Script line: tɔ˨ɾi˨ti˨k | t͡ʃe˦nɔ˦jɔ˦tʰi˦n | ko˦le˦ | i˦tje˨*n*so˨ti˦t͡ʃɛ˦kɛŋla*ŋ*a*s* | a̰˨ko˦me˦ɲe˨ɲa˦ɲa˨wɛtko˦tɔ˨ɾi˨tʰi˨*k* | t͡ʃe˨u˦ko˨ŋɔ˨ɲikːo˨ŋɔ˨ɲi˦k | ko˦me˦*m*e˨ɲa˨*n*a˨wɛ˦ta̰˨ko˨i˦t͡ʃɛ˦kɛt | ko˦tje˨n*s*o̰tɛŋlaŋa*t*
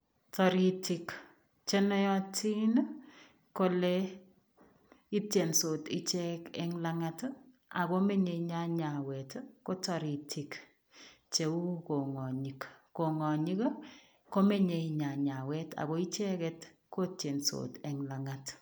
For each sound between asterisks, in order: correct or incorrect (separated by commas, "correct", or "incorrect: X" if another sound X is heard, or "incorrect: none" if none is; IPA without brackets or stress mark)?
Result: correct, correct, incorrect: t, correct, incorrect: ɲ, incorrect: ɲ, correct, correct